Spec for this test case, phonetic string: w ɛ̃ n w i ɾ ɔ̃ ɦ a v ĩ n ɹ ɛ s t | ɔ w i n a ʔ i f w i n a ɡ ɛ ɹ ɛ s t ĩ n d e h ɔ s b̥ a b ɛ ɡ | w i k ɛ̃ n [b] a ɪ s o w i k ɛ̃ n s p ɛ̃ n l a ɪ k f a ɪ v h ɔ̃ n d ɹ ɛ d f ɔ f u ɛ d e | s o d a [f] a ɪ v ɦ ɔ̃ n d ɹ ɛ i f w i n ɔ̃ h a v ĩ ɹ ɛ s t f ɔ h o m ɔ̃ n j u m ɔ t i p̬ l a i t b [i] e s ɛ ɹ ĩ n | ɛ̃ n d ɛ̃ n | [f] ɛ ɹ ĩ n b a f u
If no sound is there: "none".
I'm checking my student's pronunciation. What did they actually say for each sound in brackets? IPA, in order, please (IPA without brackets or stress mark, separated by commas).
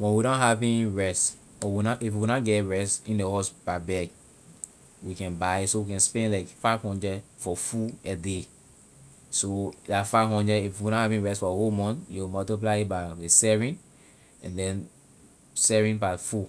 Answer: b, f, a, s